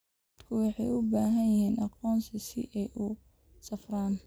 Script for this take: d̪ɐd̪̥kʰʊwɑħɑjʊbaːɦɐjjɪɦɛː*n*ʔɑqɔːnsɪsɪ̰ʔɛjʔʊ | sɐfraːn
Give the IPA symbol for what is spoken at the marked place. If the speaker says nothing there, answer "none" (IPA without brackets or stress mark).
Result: n